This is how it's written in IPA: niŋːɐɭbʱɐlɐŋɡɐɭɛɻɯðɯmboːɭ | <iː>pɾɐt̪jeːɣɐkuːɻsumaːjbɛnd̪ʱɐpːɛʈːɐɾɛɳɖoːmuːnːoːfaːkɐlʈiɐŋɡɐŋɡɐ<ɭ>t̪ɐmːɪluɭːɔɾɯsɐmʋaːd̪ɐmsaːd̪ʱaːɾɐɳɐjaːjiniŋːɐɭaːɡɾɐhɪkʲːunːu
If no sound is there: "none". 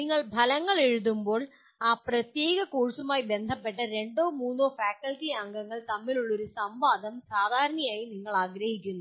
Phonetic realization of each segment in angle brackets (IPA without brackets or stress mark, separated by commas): aː, ɭ